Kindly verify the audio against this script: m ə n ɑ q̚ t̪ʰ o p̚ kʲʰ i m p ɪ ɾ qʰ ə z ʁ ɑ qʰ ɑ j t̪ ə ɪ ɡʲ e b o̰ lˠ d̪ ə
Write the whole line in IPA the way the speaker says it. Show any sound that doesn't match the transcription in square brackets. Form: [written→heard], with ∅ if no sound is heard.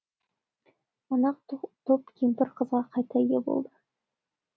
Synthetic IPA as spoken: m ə n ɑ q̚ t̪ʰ o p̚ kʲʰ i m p ɪ ɾ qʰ ə z ʁ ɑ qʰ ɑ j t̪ [ə→ɑ] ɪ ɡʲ e b o̰ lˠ d̪ ə